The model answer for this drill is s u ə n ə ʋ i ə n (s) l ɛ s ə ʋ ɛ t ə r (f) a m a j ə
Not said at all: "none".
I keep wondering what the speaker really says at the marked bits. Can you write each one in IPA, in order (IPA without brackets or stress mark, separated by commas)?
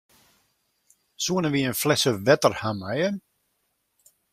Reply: f, h